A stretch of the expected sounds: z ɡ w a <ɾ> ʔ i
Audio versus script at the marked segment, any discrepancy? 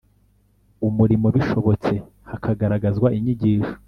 yes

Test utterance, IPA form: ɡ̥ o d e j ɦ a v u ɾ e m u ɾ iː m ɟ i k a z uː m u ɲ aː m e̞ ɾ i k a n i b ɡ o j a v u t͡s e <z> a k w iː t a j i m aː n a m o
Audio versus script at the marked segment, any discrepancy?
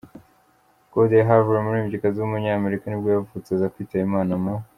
no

